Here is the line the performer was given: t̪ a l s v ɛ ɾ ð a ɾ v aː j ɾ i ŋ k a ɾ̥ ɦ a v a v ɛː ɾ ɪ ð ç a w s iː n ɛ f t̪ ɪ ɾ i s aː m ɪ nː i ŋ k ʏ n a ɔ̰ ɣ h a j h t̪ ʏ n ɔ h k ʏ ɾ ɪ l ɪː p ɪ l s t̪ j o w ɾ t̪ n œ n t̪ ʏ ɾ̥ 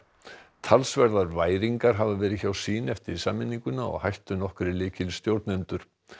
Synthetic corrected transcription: t̪ʰ a l s v ɛ ɾ ð a ɾ v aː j ɾ i ŋ k a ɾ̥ ɦ a v a v ɛː ɾ ɪ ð ç a w s iː n ɛ f t̪ ɪ ɾ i s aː m ɪ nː i ŋ k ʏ n a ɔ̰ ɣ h a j h t̪ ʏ n ɔ h k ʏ ɾ ɪ l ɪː c ɪ l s t̪ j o w ɾ t̪ n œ n t̪ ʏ ɾ̥